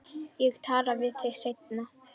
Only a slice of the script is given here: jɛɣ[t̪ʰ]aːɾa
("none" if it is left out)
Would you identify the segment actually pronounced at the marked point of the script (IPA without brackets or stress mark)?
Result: t̪ʰ